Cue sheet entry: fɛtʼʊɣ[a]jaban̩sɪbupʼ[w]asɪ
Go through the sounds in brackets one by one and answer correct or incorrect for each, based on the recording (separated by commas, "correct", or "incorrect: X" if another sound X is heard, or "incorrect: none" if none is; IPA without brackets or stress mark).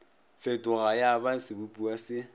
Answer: correct, incorrect: u